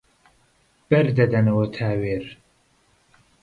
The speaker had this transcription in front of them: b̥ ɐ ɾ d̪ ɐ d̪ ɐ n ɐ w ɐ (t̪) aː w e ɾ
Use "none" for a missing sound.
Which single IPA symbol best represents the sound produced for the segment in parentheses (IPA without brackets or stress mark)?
t̪ʰ